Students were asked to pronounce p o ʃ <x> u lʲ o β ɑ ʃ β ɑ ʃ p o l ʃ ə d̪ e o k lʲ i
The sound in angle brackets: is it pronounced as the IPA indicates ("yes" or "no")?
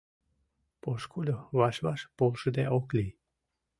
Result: no